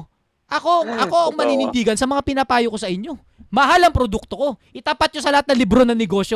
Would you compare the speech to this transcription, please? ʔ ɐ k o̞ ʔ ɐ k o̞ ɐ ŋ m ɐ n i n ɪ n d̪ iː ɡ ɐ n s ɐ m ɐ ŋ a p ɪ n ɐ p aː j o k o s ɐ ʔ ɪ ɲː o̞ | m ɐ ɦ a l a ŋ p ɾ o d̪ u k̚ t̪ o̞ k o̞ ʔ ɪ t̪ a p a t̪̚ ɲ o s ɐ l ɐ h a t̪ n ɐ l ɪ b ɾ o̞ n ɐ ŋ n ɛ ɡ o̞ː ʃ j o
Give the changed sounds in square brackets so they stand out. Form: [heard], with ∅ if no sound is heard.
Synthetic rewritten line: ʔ ɐ k o̞ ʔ ɐ k o̞ ɐ ŋ m ɐ n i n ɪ n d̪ iː ɡ ɐ n s ɐ m ɐ ŋ a p ɪ n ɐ p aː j o k o s ɐ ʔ ɪ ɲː o̞ | m ɐ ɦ a l [ɐ] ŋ p ɾ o d̪ u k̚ t̪ o̞ k o̞ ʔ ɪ t̪ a p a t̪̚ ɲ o s ɐ l ɐ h a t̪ n ɐ l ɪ b ɾ o̞ n ɐ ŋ n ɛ ɡ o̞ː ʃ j o